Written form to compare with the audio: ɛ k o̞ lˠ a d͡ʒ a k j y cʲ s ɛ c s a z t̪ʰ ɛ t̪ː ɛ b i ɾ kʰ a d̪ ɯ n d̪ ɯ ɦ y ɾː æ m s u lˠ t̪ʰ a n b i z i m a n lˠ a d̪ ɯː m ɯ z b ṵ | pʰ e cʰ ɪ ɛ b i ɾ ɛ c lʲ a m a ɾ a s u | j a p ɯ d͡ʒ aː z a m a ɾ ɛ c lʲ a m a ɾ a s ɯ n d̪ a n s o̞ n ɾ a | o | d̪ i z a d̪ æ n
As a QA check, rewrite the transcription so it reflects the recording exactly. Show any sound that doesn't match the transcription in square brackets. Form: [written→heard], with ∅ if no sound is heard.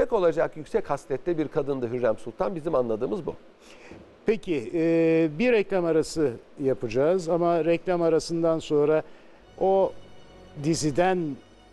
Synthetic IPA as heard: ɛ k o̞ lˠ a d͡ʒ a k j y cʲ s ɛ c [s→h] a [z→s] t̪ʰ ɛ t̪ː ɛ b i ɾ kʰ a d̪ ɯ n d̪ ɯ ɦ y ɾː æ m s u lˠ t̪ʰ a n b i z i m a n lˠ a d̪ ɯː m ɯ z b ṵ | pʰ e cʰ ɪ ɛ b i ɾ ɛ c lʲ a m a ɾ a s [u→ɯ] | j a p ɯ d͡ʒ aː z a m a ɾ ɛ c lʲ a m a ɾ a s ɯ n d̪ a n s o̞ n ɾ a | o | d̪ i z [a→i] d̪ æ n